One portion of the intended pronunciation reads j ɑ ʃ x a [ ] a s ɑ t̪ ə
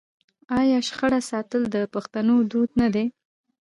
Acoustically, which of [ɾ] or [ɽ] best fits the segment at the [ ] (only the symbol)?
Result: ɽ